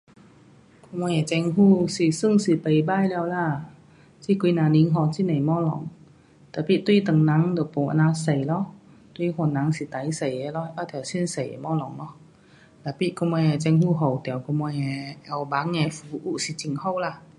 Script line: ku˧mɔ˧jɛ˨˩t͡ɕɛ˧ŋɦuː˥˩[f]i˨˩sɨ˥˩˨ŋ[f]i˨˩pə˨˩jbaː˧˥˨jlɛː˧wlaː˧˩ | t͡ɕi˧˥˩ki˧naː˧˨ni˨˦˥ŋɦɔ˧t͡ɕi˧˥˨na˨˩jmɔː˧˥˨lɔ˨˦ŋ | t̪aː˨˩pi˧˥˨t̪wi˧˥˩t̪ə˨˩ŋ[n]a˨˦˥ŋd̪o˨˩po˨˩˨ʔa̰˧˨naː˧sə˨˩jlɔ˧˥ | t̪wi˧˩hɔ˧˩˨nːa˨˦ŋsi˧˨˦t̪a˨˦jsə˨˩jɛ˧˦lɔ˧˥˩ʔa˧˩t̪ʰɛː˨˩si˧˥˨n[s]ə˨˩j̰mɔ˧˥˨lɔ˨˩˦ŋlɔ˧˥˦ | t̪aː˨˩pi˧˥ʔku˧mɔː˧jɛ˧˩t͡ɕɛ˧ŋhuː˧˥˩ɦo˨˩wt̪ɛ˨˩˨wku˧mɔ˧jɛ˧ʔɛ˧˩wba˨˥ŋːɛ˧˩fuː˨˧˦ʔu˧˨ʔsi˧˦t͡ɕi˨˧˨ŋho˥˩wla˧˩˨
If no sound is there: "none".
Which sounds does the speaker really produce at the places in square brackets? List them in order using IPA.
s, s, n, s

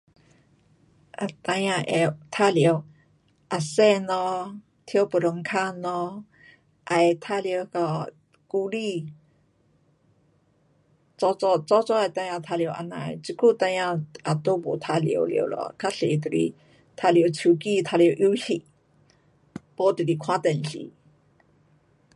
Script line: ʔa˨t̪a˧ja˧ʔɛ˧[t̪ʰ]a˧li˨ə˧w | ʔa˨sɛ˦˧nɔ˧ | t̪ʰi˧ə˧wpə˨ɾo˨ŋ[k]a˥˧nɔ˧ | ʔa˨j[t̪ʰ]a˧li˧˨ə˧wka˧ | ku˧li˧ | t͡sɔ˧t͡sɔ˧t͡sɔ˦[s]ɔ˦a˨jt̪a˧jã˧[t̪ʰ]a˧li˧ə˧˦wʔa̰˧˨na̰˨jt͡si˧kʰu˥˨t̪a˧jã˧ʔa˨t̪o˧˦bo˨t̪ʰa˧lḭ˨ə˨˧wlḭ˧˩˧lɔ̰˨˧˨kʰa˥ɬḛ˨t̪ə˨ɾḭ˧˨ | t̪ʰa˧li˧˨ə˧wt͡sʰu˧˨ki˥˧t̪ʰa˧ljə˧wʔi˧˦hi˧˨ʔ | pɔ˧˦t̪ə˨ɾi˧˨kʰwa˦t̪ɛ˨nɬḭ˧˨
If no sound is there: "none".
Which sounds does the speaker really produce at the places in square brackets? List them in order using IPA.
t̪ʰ, kʰ, t̪ʰ, t͡s, t̪ʰ

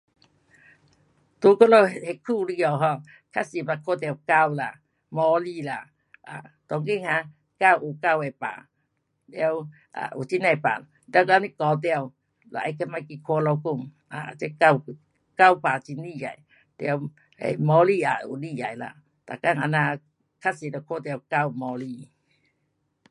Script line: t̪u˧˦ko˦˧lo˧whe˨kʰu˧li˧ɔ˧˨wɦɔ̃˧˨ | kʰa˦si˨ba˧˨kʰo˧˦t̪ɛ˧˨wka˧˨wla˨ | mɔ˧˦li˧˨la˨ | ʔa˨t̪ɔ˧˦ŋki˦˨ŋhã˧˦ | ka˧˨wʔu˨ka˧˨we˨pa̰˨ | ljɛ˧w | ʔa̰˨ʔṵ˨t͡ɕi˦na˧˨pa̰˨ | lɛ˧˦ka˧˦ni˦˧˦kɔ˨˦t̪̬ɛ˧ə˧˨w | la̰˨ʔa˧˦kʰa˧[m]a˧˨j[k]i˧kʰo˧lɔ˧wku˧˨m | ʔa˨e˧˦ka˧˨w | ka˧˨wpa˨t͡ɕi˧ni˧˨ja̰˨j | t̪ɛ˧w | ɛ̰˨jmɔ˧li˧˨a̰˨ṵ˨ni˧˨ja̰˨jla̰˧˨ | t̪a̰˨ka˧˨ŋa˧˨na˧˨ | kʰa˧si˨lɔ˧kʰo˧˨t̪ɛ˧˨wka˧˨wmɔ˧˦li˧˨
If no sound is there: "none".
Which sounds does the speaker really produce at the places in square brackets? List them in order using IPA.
m, k

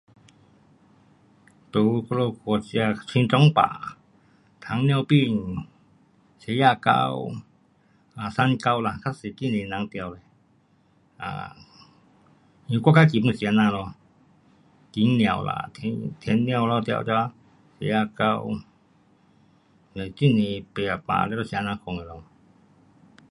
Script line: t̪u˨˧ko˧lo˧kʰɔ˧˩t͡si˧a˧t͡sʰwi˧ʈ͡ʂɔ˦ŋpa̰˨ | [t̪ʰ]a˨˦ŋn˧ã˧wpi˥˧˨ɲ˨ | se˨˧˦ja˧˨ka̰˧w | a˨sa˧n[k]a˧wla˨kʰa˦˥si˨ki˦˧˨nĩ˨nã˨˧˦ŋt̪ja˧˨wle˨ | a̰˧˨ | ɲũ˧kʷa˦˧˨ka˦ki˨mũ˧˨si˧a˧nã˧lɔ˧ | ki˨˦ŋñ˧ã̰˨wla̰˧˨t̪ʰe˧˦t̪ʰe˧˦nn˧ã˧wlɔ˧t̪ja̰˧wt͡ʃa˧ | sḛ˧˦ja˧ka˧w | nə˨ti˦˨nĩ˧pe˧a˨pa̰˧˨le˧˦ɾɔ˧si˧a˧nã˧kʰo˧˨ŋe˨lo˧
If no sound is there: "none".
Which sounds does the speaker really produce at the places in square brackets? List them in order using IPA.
t̪ʰ, k

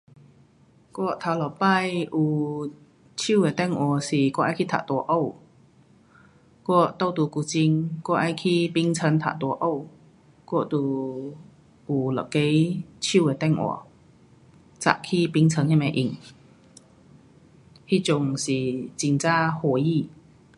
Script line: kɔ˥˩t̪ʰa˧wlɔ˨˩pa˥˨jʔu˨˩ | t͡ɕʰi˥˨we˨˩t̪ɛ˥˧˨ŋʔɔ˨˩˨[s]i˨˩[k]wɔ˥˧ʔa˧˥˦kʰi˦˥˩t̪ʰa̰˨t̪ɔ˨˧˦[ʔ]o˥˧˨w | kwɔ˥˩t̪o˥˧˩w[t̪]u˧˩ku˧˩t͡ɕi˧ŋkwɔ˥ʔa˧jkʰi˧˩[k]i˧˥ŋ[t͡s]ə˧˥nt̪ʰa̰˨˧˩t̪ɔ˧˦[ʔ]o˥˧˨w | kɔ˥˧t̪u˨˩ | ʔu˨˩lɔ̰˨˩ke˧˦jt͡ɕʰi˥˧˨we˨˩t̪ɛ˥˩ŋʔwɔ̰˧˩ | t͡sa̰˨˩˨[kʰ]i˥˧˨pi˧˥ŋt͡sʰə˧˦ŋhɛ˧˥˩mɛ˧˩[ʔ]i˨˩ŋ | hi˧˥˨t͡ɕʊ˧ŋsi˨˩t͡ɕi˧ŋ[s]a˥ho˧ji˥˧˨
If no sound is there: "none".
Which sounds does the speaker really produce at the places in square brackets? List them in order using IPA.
s, k, ʔ, t̪, p, t͡sʰ, ʔ, kʰ, ʔ, t͡s

